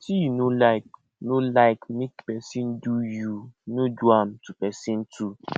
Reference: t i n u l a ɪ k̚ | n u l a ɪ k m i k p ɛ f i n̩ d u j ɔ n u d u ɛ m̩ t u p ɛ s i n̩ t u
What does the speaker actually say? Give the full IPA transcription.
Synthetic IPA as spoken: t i n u l a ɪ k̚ | n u l a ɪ k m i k p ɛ s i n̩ d u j u n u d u a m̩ t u p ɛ s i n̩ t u